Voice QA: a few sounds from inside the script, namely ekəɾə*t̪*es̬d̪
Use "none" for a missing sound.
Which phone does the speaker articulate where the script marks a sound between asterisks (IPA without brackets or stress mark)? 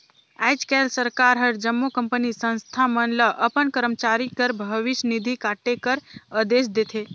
d̪